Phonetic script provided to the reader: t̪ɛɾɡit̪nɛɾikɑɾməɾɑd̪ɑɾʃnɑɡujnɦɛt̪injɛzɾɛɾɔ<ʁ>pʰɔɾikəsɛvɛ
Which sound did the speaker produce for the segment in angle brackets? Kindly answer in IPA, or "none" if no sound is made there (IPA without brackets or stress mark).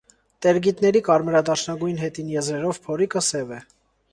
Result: v